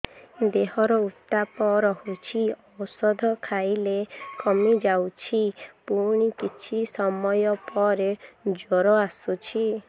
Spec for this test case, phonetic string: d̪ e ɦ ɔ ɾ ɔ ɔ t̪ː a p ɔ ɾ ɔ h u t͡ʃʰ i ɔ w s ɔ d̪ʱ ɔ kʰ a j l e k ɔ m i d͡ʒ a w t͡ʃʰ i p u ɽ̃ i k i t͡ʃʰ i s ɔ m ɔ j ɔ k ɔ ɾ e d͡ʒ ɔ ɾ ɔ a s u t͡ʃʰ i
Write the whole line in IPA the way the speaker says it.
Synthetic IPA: d̪ e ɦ ɔ ɾ ɔ u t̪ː a p ɔ ɾ ɔ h u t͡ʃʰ i ɔ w s ɔ d̪ʱ ɔ kʰ a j l e k ɔ m i d͡ʒ a w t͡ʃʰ i p u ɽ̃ i k i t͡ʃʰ i s ɔ m ɔ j ɔ p ɔ ɾ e d͡ʒ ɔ ɾ ɔ a s u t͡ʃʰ i